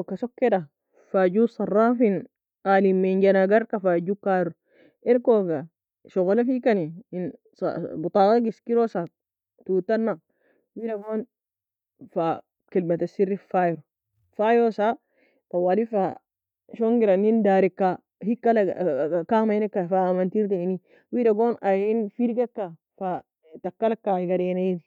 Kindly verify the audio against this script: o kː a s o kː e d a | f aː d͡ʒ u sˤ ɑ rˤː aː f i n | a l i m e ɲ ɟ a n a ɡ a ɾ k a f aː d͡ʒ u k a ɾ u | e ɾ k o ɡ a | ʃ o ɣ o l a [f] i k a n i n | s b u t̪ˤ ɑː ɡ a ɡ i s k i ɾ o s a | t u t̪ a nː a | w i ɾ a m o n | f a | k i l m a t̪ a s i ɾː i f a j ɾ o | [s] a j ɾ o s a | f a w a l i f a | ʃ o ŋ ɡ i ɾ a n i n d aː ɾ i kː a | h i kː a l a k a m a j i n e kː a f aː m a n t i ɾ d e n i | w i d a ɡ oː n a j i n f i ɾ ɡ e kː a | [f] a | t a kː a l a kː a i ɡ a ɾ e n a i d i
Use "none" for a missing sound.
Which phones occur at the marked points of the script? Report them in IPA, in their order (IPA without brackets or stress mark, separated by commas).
f, f, f